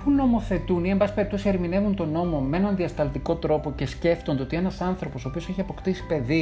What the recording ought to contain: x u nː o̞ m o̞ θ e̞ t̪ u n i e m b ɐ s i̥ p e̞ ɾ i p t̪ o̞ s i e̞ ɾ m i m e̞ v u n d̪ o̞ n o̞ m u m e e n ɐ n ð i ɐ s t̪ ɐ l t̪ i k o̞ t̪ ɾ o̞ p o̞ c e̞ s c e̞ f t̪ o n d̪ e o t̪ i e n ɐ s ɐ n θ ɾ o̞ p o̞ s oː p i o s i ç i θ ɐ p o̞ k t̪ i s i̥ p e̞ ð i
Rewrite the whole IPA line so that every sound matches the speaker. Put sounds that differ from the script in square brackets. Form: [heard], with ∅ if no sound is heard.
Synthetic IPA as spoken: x u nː o̞ m o̞ θ e̞ t̪ u n i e m b ɐ s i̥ p e̞ ɾ i p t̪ o̞ s i e̞ ɾ m i [n] e̞ v u n [t̪] o̞ n o̞ m [o] m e e n ɐ n ð i ɐ s t̪ ɐ l t̪ i k o̞ t̪ ɾ o̞ p o̞ c e̞ s c e̞ f t̪ o n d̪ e o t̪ i e n ɐ s ɐ n θ ɾ o̞ p o̞ s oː p i o s [e] ç i [∅] ɐ p o̞ k t̪ i s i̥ p e̞ ð i